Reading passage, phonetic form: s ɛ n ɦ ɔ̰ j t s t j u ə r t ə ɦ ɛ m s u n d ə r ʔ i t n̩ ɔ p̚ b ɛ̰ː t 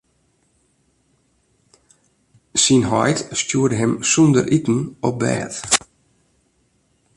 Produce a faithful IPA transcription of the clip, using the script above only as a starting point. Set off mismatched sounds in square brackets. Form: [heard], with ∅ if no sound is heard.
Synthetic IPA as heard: s [i] n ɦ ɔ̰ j t s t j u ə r [d] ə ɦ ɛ m s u n d ə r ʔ i t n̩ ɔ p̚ b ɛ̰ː t

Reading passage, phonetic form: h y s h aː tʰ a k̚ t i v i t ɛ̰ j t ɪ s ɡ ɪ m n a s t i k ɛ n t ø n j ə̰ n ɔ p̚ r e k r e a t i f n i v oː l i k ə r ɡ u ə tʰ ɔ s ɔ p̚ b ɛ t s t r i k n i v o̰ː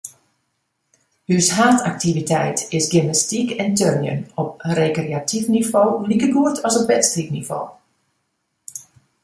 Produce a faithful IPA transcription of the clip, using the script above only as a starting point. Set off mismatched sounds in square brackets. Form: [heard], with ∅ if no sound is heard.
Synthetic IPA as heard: h y s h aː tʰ a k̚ t i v i t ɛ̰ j t ɪ s ɡ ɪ m n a s t i k ɛ n t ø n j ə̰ n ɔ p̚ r e k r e a t i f n i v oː l i k ə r ɡ u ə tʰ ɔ s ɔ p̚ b ɛ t s t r i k n i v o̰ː

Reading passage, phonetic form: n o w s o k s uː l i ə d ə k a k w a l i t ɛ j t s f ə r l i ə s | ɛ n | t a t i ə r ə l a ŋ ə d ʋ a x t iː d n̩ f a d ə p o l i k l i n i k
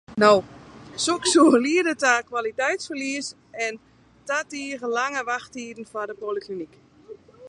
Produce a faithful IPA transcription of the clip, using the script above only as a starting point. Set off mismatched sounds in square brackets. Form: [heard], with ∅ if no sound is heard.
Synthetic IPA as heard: n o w s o k s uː l i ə d ə [t] a k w a l i t ɛ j t s f ə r l i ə s | ɛ n | t a t i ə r ə l a ŋ ə [∅] ʋ a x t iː d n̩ f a d ə p o l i k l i n i k

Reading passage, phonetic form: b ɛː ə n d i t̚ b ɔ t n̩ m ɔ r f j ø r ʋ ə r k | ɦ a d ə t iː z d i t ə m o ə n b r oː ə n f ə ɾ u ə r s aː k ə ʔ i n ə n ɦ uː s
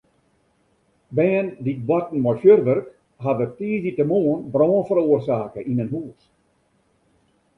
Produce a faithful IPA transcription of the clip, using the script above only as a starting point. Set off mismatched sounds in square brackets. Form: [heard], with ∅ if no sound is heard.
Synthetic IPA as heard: b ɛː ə n d i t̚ b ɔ t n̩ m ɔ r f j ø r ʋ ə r k | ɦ a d ə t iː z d i t ə m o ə n b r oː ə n f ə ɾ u ə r s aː k ə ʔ i n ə n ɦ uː s

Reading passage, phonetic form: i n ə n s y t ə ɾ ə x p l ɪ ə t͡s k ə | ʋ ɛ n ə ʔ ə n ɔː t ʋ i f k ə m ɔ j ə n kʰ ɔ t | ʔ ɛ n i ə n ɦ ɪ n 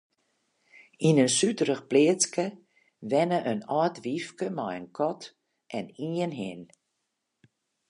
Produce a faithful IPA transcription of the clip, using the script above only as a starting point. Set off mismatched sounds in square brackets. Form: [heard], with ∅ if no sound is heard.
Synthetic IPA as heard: i n ə n s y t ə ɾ ə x p l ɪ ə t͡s k ə | ʋ ɛ n ə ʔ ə n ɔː t ʋ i f k ə m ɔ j ə n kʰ ɔ t | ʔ ɛ n i ə n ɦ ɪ n

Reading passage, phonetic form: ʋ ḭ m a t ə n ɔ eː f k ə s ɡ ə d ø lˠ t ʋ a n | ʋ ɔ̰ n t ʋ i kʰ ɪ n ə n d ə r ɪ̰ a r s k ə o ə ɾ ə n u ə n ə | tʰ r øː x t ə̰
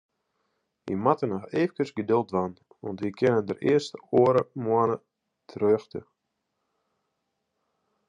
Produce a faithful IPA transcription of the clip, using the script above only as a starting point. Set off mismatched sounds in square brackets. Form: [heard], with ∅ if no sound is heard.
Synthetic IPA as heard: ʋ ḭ m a t ə n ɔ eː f k ə s ɡ ə d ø lˠ t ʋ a n | ʋ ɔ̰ n t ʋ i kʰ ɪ n ə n d ə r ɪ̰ [ə] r s [t] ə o ə ɾ ə [m] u ə n ə | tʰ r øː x t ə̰

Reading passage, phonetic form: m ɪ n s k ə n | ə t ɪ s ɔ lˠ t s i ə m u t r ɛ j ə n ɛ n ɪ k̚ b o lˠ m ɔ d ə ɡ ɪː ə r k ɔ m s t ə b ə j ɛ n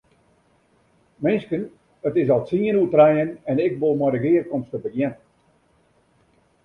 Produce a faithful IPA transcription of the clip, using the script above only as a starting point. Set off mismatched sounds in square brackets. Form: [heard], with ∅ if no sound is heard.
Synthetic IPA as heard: m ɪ n s k ə n | ə t ɪ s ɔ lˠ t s i ə [n] u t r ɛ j ə n ɛ n ɪ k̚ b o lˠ m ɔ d ə ɡ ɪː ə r k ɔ m s t ə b ə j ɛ n

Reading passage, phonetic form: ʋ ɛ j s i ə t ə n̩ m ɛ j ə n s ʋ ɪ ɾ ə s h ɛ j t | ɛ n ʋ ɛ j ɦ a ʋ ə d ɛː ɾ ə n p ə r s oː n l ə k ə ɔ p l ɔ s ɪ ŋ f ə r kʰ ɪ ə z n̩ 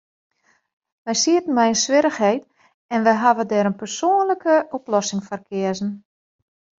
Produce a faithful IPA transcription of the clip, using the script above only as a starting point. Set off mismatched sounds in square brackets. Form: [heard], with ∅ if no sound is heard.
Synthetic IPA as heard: ʋ ɛ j s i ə t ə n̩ m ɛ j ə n s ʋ ɪ ɾ ə [x] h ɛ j t | ɛ n ʋ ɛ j ɦ a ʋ ə d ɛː ɾ ə n p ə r s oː n l ə k ə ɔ p l ɔ s ɪ ŋ f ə r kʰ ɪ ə z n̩

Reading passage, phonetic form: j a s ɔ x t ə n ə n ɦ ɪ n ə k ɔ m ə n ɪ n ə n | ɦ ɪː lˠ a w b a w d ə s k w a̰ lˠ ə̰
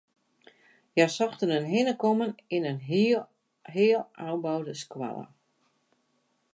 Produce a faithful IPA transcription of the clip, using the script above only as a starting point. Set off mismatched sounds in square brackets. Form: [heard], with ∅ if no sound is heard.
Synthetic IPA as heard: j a s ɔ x t ə n ə n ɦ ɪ n ə k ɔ m ə n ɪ n ə n | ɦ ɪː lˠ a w b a w d ə s k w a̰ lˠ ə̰

